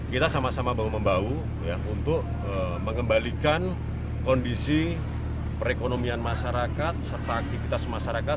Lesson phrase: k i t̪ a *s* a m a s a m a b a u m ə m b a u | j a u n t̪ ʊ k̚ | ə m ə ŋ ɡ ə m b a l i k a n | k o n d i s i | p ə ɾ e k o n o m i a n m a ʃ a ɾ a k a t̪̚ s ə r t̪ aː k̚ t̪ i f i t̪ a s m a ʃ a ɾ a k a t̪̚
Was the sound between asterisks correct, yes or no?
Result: yes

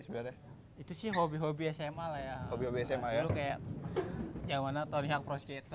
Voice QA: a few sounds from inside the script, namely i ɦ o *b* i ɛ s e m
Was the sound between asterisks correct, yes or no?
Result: yes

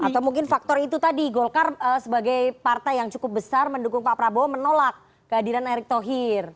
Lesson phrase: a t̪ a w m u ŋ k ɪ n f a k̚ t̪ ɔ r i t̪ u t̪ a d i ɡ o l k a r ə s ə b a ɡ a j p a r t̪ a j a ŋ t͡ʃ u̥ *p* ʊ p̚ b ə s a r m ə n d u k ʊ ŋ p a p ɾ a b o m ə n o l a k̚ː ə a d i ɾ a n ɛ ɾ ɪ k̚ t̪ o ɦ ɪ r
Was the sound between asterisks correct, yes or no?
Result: no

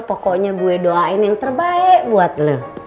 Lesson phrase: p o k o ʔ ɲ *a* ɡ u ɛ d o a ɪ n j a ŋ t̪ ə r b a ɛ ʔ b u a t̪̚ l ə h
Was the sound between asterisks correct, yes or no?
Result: yes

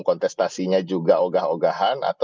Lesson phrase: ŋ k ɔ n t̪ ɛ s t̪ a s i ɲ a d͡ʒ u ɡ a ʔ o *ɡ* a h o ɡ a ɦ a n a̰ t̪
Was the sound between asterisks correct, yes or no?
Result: yes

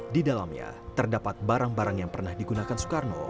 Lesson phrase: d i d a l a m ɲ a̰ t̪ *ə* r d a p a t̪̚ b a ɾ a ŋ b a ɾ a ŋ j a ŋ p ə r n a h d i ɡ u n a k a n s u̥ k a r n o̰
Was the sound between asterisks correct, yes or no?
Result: yes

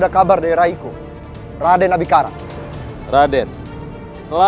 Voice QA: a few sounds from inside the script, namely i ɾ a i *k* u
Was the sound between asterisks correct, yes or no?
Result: yes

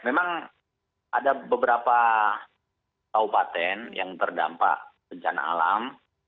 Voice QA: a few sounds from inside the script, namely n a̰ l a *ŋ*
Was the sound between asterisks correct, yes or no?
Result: no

